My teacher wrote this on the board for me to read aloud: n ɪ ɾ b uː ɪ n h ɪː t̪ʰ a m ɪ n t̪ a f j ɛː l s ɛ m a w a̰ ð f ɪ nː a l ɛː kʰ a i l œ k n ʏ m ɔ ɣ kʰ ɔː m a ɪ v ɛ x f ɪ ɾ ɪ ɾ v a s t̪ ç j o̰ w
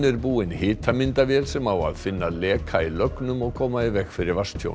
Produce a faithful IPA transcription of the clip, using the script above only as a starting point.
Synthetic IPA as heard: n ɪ ɾ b uː ɪ n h ɪː t̪ʰ a m ɪ n t̪ a v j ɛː l s ɛ m a w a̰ ð f ɪ nː a l ɛː kʰ a i l œ k n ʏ m ɔ ɣ kʰ ɔː m a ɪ v ɛ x f ɪ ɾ ɪ ɾ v a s t̪ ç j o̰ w